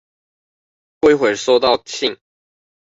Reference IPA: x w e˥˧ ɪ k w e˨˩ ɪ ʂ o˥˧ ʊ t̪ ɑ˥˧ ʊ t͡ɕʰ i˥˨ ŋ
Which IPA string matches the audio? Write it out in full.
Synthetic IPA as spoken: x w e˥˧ ɪ x w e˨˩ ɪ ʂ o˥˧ ʊ t̪ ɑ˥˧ ʊ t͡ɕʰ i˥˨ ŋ